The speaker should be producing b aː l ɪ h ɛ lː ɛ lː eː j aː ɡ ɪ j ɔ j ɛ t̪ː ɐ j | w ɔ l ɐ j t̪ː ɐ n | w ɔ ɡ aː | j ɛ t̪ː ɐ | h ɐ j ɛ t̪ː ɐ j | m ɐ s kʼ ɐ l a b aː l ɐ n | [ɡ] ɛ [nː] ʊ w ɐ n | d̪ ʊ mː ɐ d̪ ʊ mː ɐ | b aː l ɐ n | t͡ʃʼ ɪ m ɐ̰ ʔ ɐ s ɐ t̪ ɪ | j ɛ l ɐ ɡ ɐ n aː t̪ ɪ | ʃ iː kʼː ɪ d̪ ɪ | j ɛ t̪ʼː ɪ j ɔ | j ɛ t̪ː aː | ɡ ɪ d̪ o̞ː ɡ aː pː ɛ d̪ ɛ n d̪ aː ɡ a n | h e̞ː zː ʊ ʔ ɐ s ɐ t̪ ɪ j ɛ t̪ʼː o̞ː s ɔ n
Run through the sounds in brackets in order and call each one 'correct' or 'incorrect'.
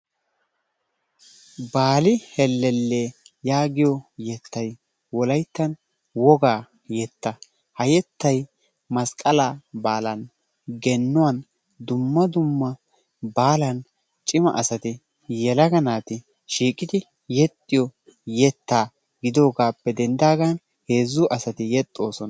correct, correct

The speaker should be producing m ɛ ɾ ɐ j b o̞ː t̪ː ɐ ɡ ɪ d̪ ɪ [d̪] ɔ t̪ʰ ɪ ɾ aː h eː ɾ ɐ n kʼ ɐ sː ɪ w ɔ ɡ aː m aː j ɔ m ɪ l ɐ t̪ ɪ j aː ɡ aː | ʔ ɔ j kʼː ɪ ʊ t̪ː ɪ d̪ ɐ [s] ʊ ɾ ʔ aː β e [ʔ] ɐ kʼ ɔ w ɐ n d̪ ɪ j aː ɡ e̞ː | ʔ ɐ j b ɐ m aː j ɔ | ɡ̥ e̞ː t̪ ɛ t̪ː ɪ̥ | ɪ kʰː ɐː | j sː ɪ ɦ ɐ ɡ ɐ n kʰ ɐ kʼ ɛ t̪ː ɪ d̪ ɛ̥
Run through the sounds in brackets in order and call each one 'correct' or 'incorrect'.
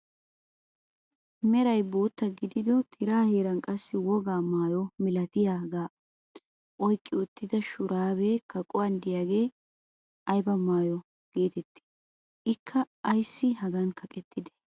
correct, incorrect, incorrect

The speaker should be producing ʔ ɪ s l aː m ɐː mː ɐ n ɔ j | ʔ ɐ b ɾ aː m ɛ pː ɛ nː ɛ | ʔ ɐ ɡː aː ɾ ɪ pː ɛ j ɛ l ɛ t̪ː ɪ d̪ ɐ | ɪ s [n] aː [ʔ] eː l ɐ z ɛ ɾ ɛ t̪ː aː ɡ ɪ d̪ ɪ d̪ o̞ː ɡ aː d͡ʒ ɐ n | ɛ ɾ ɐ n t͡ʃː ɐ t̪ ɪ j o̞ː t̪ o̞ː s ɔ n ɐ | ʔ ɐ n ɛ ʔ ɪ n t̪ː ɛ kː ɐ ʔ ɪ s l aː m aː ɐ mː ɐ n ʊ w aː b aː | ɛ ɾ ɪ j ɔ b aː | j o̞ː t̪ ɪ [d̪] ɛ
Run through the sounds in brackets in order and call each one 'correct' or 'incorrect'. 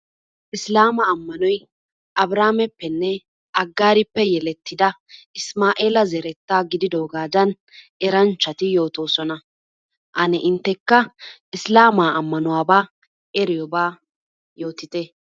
incorrect, correct, incorrect

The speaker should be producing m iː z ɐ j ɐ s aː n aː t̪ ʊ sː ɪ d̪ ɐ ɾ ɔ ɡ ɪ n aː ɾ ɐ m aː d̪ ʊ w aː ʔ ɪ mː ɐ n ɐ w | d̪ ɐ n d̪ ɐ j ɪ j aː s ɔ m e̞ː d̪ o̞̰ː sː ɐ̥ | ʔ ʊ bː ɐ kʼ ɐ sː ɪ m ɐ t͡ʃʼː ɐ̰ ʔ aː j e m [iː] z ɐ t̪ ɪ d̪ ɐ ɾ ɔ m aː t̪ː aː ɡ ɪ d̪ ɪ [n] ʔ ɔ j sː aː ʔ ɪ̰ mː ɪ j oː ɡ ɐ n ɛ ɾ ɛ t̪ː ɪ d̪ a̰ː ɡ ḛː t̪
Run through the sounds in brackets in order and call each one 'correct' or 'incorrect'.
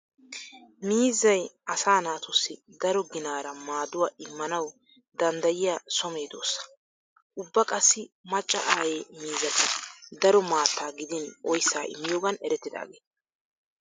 correct, correct

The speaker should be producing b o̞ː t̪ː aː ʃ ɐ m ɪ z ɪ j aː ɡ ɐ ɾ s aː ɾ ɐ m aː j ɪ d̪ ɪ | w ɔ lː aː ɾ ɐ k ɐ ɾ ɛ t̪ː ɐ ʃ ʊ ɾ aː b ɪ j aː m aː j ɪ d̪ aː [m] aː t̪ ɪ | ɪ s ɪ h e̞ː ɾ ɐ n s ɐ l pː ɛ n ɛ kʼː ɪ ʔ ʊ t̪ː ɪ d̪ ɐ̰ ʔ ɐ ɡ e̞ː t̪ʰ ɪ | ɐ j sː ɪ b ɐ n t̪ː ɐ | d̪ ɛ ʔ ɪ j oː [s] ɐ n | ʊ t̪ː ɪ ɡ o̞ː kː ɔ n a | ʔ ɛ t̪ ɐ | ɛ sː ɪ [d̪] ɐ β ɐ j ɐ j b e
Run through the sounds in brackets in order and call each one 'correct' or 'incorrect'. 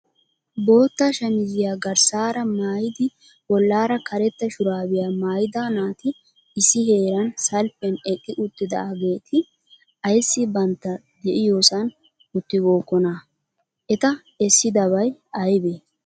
incorrect, correct, correct

